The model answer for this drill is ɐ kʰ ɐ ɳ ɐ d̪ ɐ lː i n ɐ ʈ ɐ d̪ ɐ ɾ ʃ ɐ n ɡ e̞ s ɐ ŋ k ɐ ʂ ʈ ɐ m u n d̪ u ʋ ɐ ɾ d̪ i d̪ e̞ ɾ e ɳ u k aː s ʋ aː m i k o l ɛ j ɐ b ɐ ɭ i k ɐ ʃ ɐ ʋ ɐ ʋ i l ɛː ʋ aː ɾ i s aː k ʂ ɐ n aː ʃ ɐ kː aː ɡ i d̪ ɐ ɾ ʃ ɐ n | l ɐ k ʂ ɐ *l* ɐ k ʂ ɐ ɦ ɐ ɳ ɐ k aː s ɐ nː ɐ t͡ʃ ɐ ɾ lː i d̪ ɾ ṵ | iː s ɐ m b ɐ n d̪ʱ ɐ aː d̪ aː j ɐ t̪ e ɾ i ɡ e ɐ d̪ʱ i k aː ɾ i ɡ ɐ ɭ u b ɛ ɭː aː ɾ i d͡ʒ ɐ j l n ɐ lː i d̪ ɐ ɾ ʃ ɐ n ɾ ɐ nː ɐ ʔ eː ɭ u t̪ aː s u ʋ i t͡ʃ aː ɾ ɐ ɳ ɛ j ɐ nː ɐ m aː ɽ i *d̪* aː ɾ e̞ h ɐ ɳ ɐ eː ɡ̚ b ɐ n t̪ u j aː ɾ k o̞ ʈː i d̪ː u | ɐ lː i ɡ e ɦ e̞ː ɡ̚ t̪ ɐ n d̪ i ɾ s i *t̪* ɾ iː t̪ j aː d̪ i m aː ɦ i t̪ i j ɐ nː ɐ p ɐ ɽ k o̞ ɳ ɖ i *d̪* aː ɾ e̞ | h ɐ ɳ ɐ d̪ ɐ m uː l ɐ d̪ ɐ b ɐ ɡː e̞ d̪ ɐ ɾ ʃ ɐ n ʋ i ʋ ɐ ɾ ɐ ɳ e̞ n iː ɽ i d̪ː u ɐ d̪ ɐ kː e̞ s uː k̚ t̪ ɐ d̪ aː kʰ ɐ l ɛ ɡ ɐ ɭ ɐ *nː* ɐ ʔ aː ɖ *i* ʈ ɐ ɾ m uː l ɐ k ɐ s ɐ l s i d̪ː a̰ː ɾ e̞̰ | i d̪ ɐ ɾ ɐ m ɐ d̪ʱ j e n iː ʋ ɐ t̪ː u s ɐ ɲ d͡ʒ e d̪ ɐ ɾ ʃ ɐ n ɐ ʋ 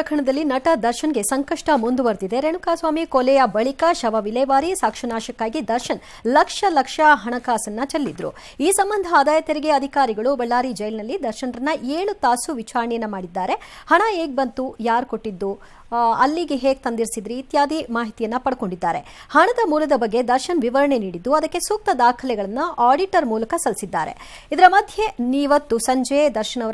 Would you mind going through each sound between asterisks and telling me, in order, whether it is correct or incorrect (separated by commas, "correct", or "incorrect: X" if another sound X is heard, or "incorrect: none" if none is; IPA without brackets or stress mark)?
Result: correct, incorrect: d̪ː, incorrect: d̪, incorrect: d̪ː, correct, correct